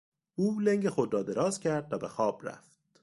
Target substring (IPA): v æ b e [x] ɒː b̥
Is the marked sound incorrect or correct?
correct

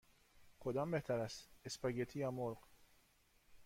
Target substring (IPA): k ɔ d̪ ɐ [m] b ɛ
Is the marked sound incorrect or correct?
correct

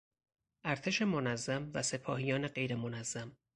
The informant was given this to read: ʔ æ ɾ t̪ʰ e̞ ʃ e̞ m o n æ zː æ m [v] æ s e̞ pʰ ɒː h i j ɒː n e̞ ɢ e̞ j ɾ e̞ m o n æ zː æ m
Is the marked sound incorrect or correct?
correct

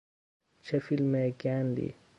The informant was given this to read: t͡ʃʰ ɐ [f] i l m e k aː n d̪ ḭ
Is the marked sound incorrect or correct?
correct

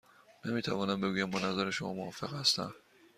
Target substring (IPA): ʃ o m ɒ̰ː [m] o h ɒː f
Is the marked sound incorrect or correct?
correct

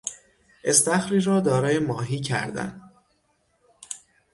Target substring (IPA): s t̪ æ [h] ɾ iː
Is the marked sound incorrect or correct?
incorrect: x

